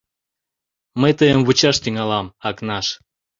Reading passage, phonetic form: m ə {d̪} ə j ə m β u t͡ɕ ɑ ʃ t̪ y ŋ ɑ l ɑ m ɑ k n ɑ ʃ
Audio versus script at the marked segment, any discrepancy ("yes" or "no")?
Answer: yes